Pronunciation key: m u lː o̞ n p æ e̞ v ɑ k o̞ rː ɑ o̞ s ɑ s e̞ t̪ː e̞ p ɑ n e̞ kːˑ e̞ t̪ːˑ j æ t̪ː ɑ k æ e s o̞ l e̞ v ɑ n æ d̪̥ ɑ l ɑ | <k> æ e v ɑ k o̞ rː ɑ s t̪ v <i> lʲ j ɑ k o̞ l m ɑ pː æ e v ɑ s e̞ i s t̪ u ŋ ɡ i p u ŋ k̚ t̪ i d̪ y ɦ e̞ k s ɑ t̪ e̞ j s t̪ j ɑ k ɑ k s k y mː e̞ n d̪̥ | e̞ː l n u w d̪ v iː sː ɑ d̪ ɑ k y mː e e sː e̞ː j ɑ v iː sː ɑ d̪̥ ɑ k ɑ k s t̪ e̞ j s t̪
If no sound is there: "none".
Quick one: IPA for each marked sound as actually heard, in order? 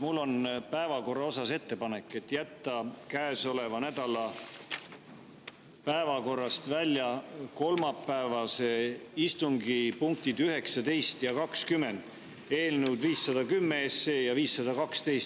p, æ

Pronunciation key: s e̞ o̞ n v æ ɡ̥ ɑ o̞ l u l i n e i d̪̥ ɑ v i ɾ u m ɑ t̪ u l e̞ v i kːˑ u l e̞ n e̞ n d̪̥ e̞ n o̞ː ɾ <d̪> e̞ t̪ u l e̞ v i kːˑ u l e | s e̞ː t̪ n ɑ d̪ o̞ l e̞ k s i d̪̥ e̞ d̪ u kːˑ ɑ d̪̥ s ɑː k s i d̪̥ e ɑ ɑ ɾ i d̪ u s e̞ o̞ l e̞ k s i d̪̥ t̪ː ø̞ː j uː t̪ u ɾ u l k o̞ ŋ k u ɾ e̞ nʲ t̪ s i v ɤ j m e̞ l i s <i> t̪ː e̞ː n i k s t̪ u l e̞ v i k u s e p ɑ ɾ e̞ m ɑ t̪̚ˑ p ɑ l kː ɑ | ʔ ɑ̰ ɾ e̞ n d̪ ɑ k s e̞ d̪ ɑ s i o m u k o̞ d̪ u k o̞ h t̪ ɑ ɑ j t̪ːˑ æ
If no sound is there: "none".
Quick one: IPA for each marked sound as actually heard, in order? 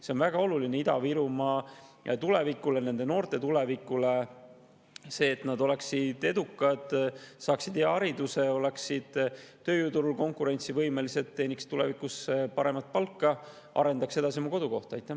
t̪, e

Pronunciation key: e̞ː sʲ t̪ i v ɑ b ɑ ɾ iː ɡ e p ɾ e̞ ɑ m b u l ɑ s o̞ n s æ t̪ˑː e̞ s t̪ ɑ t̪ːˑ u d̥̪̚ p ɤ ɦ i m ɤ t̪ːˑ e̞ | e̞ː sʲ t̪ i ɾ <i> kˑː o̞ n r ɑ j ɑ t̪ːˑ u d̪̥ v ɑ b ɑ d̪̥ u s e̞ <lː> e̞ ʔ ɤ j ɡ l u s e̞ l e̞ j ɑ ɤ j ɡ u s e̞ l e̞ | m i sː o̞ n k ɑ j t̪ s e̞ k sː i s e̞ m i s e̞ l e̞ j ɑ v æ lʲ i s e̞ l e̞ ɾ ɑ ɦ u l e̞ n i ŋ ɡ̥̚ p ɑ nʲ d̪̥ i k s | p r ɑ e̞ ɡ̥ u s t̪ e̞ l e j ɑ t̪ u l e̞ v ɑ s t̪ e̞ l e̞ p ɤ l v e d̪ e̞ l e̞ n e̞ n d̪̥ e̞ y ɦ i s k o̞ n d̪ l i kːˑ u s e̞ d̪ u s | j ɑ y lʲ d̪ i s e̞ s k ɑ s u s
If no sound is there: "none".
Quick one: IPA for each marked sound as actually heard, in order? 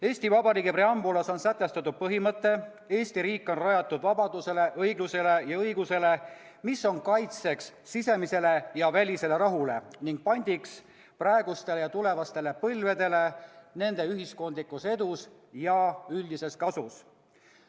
iː, l

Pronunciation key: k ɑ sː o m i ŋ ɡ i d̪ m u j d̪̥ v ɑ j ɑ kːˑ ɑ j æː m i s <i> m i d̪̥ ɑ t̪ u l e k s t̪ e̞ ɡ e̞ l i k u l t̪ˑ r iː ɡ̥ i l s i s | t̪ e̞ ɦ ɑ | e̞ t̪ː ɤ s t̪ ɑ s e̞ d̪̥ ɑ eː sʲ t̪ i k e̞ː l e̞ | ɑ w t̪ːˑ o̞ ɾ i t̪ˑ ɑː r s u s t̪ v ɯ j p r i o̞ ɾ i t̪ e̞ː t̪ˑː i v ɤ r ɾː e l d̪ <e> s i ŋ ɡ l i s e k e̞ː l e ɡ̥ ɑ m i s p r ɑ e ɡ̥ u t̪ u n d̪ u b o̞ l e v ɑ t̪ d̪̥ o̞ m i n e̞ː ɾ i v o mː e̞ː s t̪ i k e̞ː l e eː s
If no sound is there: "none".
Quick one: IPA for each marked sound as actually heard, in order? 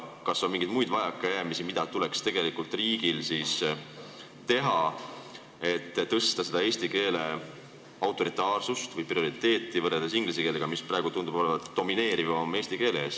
i, e

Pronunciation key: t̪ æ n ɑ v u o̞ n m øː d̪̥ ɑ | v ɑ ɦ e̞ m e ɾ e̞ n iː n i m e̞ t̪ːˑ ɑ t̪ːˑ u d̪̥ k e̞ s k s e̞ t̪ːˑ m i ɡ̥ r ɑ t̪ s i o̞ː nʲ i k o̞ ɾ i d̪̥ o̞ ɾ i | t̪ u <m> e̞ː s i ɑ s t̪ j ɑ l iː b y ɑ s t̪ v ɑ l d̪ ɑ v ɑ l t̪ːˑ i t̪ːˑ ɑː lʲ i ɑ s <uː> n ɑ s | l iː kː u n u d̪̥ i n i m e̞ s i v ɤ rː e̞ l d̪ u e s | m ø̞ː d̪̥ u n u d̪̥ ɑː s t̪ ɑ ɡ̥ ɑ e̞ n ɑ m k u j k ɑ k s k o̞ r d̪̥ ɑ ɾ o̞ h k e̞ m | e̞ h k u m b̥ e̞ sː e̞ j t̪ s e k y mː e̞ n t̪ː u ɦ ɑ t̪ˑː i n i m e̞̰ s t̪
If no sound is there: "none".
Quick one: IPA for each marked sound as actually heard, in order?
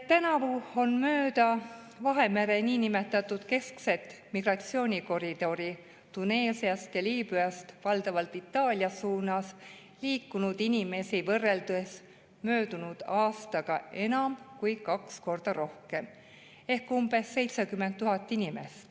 n, uː

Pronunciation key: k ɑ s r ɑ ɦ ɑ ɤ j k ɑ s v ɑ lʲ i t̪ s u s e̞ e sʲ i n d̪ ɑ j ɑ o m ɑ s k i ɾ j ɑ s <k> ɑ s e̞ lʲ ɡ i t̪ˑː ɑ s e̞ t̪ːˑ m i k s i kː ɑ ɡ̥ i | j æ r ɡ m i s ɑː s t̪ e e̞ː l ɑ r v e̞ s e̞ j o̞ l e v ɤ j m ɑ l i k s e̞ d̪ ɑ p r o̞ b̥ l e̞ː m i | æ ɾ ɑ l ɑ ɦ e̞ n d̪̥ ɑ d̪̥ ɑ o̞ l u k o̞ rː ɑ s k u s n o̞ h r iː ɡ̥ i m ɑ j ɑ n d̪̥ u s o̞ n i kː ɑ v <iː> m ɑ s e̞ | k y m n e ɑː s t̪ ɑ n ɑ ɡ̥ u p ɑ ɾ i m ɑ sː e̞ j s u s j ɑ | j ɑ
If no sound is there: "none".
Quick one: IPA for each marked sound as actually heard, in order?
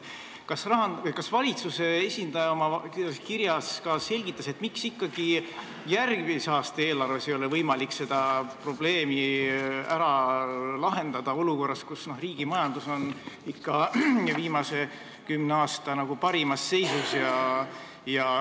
k, iː

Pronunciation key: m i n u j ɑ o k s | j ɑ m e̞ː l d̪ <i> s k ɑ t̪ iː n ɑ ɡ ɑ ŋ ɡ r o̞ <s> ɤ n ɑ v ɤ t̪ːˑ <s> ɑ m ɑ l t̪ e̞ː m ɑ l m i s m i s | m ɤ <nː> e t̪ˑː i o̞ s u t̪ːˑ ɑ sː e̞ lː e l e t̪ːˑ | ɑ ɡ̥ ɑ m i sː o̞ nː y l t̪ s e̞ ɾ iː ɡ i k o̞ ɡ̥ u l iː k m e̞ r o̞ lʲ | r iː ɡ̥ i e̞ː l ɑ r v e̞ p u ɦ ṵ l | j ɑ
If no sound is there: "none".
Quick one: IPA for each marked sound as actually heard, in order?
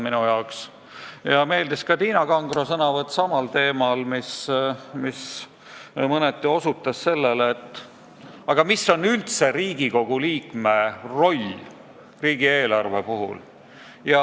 i, s, s, n

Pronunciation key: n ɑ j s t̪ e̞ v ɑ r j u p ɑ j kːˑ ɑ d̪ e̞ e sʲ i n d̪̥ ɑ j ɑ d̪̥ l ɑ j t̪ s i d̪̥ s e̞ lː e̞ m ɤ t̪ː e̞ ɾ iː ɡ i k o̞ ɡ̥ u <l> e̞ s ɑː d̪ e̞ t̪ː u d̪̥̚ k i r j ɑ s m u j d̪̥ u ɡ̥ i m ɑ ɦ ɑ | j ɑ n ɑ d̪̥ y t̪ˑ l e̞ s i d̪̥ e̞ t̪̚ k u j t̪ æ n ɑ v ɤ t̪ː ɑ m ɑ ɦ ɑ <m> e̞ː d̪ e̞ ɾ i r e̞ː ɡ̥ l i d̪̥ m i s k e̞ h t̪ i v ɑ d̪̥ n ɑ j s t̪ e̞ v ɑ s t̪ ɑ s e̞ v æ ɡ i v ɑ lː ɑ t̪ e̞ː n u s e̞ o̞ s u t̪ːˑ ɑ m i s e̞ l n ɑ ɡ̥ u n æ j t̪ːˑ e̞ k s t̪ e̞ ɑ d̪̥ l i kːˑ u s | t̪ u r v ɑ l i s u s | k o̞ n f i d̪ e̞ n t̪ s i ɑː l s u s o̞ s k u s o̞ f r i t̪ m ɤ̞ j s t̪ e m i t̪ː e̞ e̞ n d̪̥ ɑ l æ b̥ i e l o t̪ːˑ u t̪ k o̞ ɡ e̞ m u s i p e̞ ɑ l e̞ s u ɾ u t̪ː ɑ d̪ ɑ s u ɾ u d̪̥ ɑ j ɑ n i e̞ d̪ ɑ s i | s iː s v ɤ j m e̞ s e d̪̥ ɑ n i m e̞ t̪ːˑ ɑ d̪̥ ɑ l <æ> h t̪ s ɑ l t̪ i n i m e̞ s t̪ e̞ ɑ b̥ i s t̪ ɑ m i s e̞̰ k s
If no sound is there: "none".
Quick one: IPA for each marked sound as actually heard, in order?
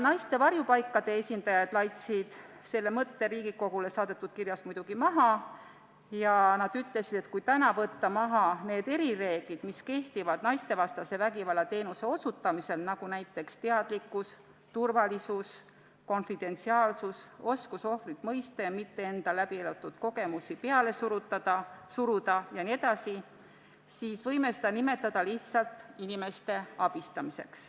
l, n, i

